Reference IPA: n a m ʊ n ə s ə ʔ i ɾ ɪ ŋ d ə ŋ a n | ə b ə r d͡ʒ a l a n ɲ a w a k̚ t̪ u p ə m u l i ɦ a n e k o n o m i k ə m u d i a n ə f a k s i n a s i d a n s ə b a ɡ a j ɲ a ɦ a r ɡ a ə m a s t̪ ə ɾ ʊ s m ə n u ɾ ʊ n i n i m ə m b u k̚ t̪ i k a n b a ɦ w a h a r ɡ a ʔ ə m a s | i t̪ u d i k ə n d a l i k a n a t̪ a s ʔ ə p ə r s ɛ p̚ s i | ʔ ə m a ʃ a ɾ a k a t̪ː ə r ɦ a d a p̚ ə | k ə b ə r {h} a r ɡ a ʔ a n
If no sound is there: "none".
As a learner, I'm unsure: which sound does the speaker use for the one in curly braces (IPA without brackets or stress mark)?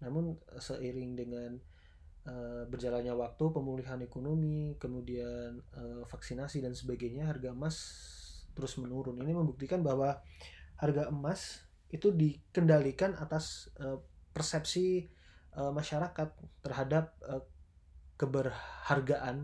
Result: h